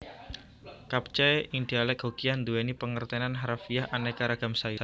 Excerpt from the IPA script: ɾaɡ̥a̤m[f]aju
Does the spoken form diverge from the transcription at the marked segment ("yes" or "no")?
yes